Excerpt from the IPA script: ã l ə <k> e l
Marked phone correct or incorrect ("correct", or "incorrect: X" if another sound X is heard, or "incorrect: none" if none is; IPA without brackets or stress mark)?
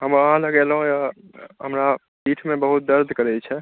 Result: incorrect: ɡ